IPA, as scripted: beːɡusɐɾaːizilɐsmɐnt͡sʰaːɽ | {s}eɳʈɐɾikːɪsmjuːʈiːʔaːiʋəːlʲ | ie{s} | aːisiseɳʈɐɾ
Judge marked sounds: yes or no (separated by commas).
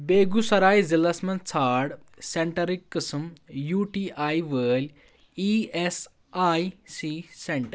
yes, yes